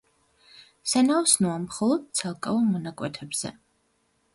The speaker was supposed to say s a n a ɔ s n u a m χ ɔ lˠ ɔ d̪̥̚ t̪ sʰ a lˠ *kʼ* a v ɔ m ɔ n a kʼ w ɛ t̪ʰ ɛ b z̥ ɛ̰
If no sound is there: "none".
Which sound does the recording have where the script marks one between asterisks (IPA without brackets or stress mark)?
kʼ